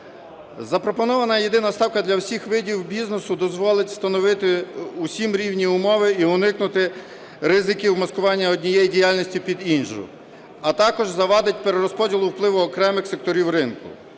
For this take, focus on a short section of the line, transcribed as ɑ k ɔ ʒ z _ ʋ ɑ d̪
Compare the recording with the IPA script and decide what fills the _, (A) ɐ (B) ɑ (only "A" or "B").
A